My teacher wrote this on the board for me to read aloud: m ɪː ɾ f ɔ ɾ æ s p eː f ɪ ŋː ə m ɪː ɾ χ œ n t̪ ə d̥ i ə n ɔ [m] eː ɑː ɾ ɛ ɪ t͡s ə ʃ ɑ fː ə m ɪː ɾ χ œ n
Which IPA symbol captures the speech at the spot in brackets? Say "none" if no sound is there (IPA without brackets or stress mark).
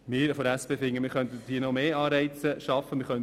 m